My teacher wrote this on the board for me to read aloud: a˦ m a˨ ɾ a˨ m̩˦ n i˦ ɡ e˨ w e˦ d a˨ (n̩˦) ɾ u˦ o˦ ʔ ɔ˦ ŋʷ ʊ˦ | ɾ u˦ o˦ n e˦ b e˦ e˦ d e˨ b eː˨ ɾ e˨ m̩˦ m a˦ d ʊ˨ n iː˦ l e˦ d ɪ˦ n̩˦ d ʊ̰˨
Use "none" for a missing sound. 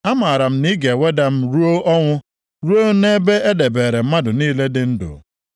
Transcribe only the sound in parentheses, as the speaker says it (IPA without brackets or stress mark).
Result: m̩˦